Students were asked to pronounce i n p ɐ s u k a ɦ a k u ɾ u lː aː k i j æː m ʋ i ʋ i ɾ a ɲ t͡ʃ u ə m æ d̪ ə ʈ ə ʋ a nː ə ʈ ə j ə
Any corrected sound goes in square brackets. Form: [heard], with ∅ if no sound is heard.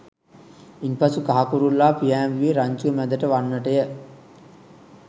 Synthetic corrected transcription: i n p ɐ s u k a ɦ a k u ɾ u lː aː [p] i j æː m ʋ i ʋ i ɾ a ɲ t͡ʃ u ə m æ d̪ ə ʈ ə ʋ a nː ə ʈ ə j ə